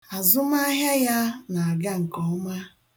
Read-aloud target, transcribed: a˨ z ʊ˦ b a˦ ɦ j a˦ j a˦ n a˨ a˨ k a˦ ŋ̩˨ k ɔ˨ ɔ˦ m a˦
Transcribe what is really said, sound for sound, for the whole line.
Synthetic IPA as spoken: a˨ z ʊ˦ m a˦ ɦ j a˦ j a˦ n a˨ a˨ ɡ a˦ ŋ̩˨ k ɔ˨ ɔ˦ m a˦

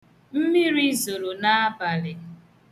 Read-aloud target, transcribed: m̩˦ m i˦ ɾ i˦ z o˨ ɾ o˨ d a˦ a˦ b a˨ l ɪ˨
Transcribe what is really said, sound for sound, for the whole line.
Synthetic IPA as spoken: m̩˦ m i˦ ɾ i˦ z o˨ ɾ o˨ n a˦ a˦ b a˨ l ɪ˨

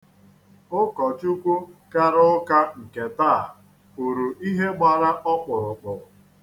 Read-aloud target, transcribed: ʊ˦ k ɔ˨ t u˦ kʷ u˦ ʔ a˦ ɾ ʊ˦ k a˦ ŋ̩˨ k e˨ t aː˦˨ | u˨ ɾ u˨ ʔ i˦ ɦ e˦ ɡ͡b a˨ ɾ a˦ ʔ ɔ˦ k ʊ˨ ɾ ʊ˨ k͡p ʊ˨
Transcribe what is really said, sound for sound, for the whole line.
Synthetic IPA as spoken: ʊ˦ k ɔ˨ t͡ʃ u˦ kʷ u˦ k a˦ ɾ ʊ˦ k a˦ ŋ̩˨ k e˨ t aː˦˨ | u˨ ɾ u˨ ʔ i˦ ɦ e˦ ɡ͡b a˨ ɾ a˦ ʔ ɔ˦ k͡p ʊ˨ ɾ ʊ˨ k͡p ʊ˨

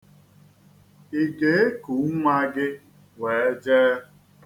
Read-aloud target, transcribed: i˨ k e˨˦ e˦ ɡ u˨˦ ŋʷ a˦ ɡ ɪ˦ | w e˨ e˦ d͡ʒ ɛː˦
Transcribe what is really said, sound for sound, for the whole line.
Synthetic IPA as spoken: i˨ ɡ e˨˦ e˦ k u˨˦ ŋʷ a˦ ɡ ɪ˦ | w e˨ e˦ d͡ʒ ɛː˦

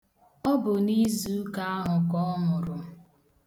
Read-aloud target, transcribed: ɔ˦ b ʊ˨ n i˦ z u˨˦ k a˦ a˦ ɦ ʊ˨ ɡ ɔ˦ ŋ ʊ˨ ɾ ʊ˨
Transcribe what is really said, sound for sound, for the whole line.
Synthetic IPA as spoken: ɔ˦ b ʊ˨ n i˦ z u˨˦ k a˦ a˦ ɦ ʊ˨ k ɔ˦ m ʊ˨ ɾ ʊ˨

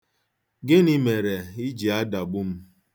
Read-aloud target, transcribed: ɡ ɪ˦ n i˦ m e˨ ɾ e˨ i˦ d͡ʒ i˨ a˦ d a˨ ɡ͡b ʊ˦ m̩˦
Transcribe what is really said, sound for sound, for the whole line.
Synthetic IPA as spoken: ɡ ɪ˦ n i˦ m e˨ ɾ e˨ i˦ d͡ʒ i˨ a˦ d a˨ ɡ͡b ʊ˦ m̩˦

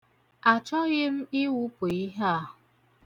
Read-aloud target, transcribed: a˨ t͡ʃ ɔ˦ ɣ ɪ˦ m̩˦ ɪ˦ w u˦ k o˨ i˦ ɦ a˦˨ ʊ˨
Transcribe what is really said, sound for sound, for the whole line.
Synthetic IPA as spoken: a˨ t͡ʃ ɔ˦ ɣ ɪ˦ m̩˦ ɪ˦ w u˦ p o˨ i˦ ɦ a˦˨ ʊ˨

